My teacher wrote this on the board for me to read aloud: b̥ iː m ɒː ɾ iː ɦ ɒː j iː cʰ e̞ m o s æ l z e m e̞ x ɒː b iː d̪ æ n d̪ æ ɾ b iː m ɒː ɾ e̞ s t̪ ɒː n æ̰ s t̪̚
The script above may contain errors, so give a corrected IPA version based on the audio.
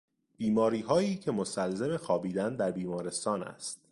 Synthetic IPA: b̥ iː m ɒː ɾ iː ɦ ɒː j iː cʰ e̞ m o s æ l z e m e̞ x ɒː b iː d̪ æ n d̪ æ ɾ b iː m ɒː ɾ e̞ s t̪ ɒː n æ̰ s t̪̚